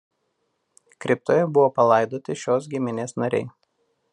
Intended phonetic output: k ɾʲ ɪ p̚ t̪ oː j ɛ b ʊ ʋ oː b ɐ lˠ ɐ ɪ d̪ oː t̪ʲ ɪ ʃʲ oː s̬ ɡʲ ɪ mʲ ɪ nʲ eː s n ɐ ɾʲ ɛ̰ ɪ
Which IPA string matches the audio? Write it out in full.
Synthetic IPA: k ɾʲ ɪ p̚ t̪ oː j ɛ b ʊ ʋ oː p ɐ lˠ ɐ ɪ d̪ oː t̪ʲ ɪ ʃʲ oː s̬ ɡʲ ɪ mʲ ɪ nʲ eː s n ɐ ɾʲ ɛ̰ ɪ